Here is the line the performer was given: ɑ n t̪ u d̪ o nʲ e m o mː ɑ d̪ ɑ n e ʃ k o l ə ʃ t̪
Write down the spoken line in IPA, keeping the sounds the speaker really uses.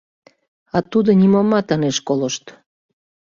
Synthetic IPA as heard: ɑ t̪ u d̪ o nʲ i m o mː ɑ t̪ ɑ n e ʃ k o l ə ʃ t̪